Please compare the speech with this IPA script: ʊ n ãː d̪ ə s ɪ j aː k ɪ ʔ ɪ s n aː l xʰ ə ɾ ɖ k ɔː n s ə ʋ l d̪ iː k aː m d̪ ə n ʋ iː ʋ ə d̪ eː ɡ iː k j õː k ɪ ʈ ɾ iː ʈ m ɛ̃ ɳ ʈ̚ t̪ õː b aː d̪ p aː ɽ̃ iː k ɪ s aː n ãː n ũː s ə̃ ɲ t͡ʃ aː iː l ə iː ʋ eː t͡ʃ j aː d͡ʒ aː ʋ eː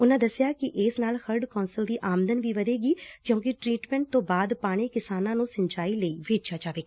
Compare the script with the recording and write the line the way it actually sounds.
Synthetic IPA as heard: ʊ n ãː d̪ ə s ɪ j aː k ɪ ʔ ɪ s n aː l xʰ ə ɾ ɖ k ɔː n s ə l d̪ iː ʔ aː m d̪ ə n ʋ iː ʋ ə d̪ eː ɡ iː k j õː k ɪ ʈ ɾ iː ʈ m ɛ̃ ɳ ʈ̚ t̪ õː b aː d̪ p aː ɽ̃ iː k ɪ s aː n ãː n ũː s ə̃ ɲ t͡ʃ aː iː l ə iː ʋ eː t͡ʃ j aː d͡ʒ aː ʋ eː